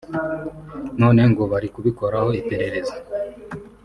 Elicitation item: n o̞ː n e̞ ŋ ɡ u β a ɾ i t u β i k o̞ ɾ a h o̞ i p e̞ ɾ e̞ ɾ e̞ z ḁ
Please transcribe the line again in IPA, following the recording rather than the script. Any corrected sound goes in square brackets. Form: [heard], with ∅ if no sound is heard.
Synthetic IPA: n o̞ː n e̞ ŋ ɡ [o] β a ɾ i [k] u β i k o̞ ɾ a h o̞ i p e̞ ɾ e̞ ɾ e̞ z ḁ